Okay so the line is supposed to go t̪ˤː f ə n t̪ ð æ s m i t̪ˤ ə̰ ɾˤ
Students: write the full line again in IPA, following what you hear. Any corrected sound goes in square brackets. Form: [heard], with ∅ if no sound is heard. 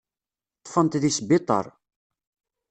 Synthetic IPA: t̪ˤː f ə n t̪ ð [i] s [b] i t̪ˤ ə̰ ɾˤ